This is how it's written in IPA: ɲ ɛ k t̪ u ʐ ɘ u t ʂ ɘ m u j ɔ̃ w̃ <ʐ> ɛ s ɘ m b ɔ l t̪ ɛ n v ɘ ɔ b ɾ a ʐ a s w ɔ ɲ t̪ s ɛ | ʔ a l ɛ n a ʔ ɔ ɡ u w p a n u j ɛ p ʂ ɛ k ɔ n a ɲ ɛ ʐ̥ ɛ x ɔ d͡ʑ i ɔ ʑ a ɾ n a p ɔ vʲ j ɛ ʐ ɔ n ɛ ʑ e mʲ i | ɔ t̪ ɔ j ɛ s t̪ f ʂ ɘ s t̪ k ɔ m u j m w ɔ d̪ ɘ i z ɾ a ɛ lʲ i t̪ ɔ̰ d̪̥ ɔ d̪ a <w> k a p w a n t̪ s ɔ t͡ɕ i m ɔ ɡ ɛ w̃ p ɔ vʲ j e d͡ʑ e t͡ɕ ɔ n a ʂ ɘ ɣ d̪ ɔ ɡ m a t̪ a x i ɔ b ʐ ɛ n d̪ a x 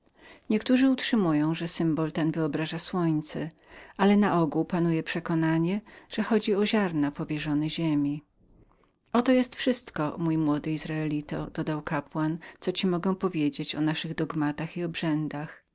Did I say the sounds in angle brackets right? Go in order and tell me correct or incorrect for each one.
correct, correct

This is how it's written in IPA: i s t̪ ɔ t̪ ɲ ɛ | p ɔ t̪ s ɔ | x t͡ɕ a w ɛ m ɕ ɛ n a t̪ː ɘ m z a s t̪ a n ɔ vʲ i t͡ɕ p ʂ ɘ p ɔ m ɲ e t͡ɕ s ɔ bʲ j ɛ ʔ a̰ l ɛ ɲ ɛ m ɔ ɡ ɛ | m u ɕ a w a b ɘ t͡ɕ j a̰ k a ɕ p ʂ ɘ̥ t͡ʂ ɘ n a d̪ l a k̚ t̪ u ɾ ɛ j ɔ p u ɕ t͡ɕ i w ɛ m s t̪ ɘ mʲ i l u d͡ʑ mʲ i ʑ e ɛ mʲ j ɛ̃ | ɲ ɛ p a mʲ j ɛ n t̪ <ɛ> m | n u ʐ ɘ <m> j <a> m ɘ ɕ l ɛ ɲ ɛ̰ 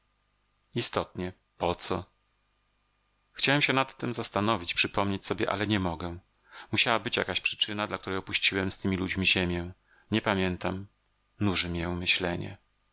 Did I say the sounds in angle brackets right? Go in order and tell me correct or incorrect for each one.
incorrect: a, correct, incorrect: ɛ

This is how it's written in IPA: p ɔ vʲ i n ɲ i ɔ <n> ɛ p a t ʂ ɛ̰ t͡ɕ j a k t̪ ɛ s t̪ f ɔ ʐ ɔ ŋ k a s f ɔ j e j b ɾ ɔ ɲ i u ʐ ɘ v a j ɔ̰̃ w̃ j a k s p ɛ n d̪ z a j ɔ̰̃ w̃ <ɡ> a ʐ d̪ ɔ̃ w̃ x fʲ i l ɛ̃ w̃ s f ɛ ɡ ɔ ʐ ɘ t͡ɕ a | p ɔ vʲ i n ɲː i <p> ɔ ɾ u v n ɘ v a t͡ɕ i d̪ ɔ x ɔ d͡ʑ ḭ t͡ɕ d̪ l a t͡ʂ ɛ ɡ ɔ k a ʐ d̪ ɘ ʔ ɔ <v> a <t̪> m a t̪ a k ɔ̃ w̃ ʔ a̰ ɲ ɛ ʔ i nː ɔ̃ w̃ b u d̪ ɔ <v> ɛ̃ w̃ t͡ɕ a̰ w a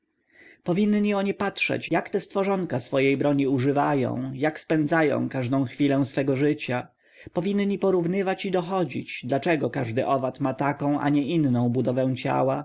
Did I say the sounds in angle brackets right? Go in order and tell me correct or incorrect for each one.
incorrect: ɲ, incorrect: k, correct, correct, correct, correct

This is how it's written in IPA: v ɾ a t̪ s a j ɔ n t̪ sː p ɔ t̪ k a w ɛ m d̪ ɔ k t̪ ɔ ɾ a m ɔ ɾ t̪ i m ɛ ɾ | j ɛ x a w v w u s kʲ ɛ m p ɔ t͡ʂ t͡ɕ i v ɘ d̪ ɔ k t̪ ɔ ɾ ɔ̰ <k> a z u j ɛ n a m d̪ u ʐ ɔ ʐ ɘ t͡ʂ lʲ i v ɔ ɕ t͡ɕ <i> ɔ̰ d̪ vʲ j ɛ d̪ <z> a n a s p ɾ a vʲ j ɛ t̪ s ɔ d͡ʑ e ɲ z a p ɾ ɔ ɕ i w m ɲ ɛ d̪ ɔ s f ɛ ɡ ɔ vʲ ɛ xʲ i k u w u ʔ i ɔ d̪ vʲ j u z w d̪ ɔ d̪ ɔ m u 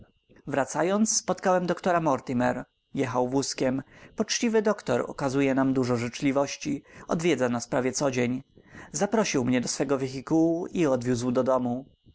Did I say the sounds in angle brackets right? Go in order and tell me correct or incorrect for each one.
correct, correct, correct

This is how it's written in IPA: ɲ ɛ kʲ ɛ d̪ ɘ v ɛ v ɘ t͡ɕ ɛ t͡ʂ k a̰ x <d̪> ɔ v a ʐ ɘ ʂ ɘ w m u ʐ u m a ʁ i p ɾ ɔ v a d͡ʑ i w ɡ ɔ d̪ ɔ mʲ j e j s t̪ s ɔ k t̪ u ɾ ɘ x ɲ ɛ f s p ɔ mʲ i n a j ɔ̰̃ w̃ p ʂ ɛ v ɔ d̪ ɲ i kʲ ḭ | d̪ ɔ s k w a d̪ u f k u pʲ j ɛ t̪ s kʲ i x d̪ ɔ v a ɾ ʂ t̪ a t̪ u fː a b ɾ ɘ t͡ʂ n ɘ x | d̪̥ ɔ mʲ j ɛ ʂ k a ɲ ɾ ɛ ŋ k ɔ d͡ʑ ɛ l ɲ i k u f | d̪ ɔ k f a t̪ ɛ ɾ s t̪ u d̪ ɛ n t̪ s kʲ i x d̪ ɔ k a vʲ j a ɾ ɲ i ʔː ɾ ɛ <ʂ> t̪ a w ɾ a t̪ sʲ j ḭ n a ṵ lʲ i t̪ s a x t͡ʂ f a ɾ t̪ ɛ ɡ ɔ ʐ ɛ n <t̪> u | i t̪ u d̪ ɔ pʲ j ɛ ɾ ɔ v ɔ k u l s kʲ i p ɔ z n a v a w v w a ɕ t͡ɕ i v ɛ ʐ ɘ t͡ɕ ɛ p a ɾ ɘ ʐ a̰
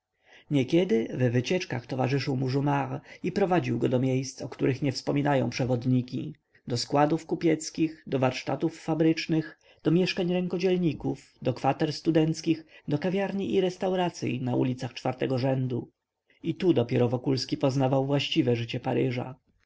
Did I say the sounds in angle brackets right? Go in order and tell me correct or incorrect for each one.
incorrect: t̪, incorrect: s, incorrect: d̪

